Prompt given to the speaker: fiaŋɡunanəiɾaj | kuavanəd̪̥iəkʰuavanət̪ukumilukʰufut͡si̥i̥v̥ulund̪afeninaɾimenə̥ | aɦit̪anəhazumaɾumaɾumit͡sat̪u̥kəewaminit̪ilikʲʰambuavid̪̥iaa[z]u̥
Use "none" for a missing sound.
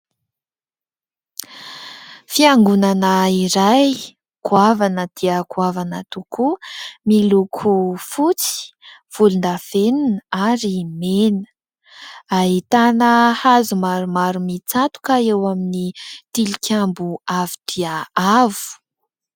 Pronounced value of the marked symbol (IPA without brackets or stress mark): v